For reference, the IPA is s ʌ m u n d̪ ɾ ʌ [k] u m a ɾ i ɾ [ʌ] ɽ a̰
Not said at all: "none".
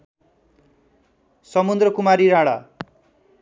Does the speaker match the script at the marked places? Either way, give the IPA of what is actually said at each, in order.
k, a

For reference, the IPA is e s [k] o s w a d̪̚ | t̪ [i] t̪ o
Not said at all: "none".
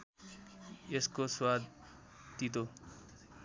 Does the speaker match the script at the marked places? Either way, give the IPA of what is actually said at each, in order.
k, i

